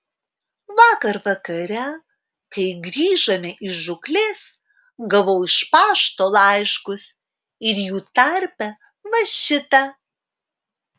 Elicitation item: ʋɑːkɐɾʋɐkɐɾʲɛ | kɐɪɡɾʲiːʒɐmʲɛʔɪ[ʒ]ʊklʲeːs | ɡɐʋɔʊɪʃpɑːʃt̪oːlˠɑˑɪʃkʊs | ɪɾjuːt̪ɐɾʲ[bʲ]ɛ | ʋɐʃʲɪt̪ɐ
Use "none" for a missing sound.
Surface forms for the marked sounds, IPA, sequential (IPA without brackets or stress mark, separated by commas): ʒ, pʲ